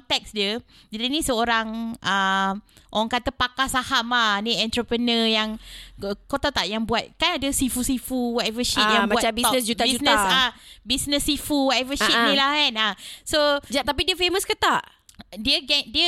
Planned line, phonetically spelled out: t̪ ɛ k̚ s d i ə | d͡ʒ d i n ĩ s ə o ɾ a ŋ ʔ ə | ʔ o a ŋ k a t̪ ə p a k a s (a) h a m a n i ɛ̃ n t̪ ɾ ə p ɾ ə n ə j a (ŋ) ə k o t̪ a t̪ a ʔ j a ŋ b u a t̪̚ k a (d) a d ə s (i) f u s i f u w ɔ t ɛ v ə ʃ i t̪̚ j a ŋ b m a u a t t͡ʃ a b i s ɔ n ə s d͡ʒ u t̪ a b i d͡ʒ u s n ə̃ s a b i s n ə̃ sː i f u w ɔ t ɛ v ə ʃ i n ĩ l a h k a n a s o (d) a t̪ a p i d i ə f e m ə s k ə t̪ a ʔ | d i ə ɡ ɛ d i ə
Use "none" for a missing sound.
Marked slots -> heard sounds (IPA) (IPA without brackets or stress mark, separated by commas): a, ŋ, n, i, d͡ʒ